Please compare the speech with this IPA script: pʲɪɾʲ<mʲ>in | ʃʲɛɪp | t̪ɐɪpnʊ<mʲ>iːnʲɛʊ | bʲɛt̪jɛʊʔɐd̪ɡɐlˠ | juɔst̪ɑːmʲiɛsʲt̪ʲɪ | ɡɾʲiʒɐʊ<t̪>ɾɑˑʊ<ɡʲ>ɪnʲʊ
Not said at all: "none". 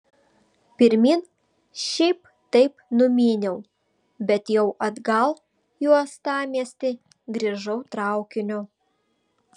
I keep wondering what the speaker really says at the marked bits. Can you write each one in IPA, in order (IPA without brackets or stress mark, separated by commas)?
mʲ, mʲ, t̪, kʲ